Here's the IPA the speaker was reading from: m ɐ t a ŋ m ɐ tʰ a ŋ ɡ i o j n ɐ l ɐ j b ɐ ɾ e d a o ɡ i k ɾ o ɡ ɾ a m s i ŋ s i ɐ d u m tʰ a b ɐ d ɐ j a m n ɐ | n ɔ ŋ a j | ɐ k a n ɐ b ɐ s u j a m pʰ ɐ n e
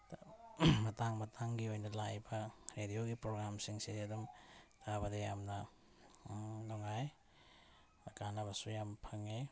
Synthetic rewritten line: m ɐ t a ŋ m ɐ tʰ a ŋ ɡ i o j n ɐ l a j b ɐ ɾ e d i o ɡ i p ɾ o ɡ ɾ a m s i ŋ s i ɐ d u m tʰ a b ɐ d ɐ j a m n ɐ | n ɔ ŋ a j | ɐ k a n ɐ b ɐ s u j a m pʰ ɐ ŋ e